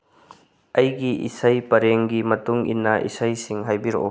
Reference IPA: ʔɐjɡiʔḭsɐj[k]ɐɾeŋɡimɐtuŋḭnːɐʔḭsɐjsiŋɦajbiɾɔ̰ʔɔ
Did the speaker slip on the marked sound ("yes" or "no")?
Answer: yes